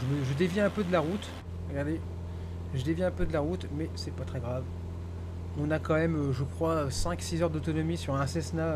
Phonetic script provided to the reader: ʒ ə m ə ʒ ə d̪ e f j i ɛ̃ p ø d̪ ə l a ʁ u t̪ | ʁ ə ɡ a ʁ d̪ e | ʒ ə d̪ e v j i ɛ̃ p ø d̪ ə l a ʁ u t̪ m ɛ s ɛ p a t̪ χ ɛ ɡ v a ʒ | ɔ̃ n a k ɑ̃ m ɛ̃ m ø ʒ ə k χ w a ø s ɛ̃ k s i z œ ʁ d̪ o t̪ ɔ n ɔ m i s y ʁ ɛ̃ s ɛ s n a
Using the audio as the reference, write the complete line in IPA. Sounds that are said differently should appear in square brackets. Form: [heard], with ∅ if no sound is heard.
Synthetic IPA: ʒ ə m ə ʒ ə d̪ e [v] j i ɛ̃ p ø d̪ ə l a ʁ u t̪ | ʁ ə ɡ a ʁ d̪ e | ʒ ə d̪ e v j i ɛ̃ p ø d̪ ə l a ʁ u t̪ m ɛ s ɛ p a t̪ χ ɛ ɡ [ʁ] a [v] | ɔ̃ n a k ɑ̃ m [ɛ] m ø ʒ ə k χ w a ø s ɛ̃ k s i z œ ʁ d̪ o t̪ ɔ n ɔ m i s y ʁ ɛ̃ s ɛ s n a